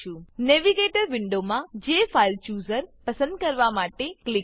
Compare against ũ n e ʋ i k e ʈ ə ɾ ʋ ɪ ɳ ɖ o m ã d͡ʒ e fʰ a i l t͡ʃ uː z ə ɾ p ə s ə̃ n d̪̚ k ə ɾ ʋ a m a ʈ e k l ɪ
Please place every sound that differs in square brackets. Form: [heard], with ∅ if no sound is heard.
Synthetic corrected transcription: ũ n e ʋ i [ɡ] e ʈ ə ɾ ʋ ɪ ɳ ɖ o m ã d͡ʒ e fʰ a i l t͡ʃ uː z ə ɾ p ə s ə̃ n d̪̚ k ə ɾ ʋ a m a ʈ e k l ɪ